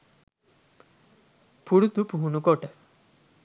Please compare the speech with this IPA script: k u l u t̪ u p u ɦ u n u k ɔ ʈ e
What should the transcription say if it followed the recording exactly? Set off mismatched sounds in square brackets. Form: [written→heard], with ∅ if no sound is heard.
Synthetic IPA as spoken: [k→p] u [l→ɽ] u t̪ u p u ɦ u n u k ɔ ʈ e